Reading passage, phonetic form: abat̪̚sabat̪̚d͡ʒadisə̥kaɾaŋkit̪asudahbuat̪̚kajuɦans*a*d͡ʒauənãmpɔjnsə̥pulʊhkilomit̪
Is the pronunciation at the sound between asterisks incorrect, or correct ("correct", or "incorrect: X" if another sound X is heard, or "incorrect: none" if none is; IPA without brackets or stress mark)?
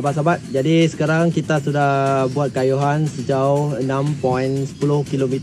incorrect: ə